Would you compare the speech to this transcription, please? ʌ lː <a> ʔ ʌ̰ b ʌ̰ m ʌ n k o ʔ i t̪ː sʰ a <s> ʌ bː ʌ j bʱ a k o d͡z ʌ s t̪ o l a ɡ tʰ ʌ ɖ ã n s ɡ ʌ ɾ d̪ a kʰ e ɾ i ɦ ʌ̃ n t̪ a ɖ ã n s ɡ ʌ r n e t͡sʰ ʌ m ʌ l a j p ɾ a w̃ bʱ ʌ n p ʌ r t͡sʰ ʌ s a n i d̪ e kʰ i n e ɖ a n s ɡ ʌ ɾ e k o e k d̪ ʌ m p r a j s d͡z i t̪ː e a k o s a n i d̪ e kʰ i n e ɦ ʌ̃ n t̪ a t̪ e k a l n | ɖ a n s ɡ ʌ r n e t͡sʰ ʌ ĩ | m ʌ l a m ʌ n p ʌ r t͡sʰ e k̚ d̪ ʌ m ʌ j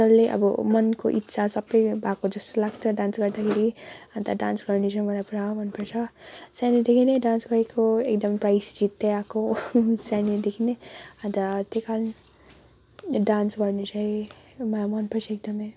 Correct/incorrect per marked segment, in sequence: incorrect: e, correct

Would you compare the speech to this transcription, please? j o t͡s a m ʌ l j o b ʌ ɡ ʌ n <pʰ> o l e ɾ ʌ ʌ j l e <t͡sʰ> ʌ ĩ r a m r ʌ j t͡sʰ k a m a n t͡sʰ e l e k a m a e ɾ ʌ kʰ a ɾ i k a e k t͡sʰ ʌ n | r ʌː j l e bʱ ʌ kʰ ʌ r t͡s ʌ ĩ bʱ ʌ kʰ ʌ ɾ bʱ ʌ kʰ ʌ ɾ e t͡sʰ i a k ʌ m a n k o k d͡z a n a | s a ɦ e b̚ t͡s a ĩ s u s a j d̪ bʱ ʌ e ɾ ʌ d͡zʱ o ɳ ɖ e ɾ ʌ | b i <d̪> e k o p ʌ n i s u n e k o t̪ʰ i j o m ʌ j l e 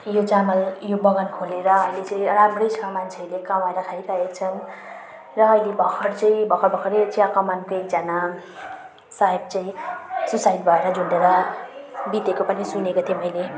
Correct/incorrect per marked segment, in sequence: incorrect: kʰ, incorrect: t͡s, incorrect: t̪

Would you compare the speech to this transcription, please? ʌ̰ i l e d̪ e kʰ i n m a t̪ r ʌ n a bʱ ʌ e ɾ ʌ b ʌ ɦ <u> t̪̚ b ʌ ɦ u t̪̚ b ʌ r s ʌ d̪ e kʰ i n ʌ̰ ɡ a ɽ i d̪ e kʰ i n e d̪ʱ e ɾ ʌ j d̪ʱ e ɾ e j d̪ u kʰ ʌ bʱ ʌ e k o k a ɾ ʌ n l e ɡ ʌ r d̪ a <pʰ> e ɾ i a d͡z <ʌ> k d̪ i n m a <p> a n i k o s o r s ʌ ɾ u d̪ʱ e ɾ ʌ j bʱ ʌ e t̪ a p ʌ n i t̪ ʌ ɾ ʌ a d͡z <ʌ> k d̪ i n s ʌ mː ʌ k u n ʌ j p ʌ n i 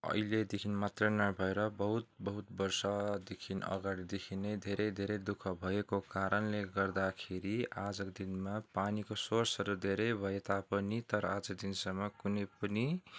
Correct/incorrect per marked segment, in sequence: correct, incorrect: kʰ, correct, correct, correct

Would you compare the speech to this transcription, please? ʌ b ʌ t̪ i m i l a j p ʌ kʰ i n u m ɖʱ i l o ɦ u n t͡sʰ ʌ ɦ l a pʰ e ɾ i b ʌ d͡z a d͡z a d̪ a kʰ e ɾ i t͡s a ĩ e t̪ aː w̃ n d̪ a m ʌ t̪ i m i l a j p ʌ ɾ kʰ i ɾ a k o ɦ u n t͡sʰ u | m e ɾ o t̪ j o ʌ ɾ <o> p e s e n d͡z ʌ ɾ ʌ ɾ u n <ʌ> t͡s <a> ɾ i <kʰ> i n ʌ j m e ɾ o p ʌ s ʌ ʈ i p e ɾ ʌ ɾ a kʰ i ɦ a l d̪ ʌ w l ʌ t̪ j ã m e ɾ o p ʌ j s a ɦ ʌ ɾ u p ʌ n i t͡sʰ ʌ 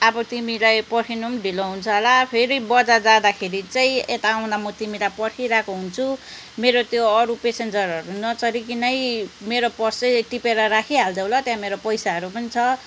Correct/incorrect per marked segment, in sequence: incorrect: u, correct, incorrect: ʌ, incorrect: k

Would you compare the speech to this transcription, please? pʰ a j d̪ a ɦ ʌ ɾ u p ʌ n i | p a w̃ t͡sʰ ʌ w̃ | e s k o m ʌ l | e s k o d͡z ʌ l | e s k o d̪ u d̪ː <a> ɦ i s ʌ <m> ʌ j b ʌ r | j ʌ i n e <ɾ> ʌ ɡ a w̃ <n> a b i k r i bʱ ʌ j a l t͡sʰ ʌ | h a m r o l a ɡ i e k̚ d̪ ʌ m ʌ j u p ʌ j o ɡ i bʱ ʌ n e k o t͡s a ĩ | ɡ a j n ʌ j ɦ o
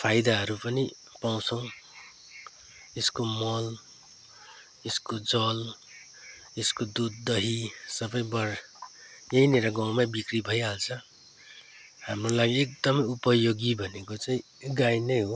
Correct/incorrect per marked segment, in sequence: incorrect: ʌ, incorrect: b, correct, incorrect: m

